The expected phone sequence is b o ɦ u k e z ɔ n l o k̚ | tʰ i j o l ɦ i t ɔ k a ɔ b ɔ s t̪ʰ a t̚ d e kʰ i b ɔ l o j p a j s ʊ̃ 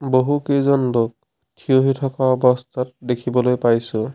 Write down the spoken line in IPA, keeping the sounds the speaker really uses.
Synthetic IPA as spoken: b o ɦ u k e z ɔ n l o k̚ | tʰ i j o ɦ i tʰ ɔ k a ɔ b ɔ s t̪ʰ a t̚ d e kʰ i b ɔ l o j p a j s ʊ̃